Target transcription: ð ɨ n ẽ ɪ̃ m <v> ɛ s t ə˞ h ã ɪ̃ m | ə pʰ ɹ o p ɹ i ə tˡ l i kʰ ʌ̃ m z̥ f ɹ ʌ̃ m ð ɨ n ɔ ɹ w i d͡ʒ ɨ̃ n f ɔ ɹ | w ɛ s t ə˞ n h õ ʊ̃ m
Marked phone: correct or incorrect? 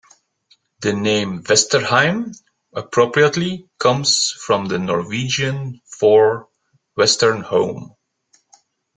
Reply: correct